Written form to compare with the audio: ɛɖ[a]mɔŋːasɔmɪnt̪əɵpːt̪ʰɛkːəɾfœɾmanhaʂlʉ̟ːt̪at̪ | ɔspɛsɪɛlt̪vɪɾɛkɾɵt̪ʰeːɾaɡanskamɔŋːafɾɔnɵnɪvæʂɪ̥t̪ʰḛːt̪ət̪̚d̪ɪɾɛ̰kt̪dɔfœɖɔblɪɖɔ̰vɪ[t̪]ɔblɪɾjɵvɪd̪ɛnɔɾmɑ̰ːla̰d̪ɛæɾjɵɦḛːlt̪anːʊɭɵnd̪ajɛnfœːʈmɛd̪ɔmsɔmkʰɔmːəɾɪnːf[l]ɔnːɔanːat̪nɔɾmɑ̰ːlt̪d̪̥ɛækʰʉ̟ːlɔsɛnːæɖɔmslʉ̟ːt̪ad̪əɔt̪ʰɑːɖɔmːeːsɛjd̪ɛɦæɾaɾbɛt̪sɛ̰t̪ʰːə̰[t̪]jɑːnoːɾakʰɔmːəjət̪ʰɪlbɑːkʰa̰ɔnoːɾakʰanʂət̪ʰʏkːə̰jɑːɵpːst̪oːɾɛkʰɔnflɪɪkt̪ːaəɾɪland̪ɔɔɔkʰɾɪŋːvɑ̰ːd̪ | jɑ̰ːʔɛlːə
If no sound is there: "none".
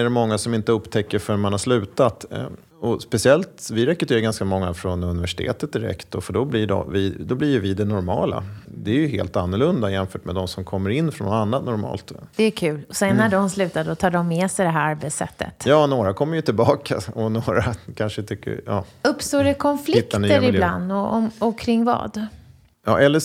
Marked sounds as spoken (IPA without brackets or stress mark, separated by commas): ɛ, d̪, ɾ, t̪